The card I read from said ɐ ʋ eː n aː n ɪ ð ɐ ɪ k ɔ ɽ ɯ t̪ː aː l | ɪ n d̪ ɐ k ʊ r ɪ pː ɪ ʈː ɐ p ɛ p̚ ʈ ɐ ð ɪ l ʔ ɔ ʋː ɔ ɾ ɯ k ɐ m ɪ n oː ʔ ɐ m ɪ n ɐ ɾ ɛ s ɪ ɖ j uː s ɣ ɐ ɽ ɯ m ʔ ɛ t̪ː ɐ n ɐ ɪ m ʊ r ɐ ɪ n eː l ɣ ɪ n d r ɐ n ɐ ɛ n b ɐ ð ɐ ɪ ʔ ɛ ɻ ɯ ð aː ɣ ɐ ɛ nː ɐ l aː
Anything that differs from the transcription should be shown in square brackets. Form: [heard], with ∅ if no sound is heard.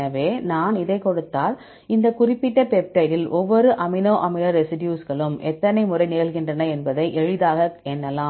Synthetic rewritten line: ɐ ʋ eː n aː n ɪ ð ɐ ɪ k ɔ ɽ ɯ t̪ː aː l | ɪ n d̪ ɐ k ʊ r ɪ pː ɪ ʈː ɐ p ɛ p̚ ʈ ɐ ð ɪ l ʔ ɔ ʋː ɔ ɾ ɯ [ʔ] ɐ m ɪ n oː ʔ ɐ m ɪ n ɐ ɾ ɛ s ɪ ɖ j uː s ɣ ɐ [ɭ] ɯ m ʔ ɛ t̪ː ɐ n ɐ ɪ m ʊ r ɐ ɪ n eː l ɣ ɪ n d r ɐ n ɐ ɛ n b ɐ ð ɐ ɪ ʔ ɛ ɻ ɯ ð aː ɣ ɐ ɛ nː ɐ l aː